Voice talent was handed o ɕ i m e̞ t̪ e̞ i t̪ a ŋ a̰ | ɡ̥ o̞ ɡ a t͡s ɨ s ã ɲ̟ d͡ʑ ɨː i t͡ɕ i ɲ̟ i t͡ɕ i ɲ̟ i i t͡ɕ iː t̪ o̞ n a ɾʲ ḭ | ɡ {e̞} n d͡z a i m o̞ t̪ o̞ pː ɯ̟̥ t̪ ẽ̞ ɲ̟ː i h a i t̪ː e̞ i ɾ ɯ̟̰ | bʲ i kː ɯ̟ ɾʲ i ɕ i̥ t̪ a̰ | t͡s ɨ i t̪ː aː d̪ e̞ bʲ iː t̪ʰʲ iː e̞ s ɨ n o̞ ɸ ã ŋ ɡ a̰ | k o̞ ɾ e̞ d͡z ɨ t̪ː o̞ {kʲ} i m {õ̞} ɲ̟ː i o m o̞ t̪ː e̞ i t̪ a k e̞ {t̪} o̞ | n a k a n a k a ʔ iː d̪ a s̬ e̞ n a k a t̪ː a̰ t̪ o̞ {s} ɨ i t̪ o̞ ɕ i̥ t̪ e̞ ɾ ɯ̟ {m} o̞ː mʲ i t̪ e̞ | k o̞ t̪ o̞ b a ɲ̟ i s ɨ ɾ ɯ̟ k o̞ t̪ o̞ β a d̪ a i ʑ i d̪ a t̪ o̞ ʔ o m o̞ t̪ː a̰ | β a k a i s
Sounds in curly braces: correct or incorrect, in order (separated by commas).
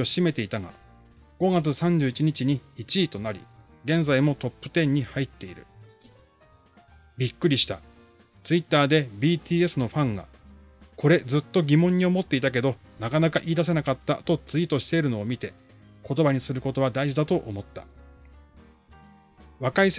incorrect, incorrect, correct, incorrect, incorrect, incorrect